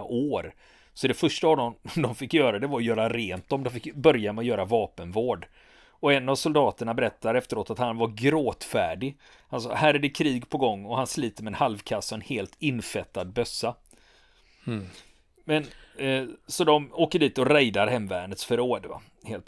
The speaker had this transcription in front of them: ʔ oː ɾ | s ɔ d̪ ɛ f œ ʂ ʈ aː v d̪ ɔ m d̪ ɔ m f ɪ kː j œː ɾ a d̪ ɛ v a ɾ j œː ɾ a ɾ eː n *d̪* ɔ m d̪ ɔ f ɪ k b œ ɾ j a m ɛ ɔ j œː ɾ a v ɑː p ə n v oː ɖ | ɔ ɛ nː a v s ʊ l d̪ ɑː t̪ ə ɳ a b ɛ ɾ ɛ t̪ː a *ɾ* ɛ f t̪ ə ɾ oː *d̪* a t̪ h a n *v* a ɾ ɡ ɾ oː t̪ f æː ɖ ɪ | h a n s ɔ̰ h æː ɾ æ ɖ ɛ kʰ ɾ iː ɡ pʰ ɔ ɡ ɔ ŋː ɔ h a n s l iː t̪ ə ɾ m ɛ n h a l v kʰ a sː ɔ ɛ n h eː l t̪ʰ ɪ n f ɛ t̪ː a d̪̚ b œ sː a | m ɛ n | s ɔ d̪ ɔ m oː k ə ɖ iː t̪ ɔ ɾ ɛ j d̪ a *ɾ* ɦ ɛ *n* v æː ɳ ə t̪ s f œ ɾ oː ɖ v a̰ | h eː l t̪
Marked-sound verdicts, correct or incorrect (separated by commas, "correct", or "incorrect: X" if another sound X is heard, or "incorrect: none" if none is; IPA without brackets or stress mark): incorrect: t̪, correct, incorrect: t̪, correct, correct, incorrect: m